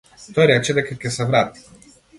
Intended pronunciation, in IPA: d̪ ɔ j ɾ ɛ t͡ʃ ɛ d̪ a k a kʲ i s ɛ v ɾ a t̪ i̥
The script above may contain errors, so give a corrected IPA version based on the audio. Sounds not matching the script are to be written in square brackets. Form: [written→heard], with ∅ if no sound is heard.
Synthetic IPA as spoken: [d̪→t̪] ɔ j ɾ ɛ t͡ʃ ɛ d̪ [a→ɛ] k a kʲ [i→ɛ] s ɛ v ɾ a t̪ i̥